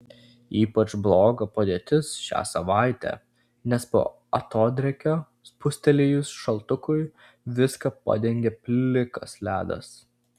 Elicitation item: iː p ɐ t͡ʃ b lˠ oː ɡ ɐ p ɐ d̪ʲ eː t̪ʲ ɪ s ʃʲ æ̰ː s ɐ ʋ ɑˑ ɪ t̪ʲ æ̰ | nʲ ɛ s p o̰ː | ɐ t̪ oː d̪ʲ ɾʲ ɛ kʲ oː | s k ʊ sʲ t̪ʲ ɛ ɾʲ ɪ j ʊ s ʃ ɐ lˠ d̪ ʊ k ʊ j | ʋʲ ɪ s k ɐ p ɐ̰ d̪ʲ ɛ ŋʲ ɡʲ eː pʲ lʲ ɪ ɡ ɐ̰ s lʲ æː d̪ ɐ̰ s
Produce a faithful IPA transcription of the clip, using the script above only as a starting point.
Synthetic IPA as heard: iː p ɐ t͡ʃ b lˠ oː ɡ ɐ p ɐ d̪ʲ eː t̪ʲ ɪ s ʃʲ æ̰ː s ɐ ʋ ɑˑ ɪ t̪ʲ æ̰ | nʲ ɛ s p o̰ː | ɐ t̪ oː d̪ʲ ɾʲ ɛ kʲ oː | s p ʊ sʲ t̪ʲ ɛ lʲ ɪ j ʊ s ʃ ɐ lˠ t̪ ʊ k ʊ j | ʋʲ ɪ s k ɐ p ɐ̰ d̪ʲ ɛ ŋʲ ɡʲ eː pʲ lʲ ɪ k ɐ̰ s lʲ æː d̪ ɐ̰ s